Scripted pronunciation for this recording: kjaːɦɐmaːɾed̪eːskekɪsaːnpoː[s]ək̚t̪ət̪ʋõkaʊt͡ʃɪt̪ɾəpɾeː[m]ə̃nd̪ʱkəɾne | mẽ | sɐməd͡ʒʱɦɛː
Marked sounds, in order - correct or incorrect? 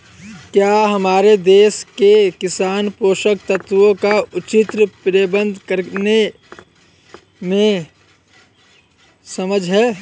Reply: incorrect: ʃ, incorrect: b

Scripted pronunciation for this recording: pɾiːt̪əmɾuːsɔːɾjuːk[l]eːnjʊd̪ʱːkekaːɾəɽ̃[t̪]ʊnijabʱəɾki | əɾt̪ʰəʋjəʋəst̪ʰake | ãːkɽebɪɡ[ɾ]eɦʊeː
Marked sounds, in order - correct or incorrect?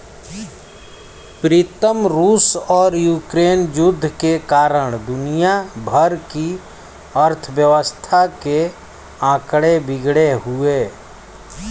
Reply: incorrect: ɾ, incorrect: d̪, incorrect: ɽ

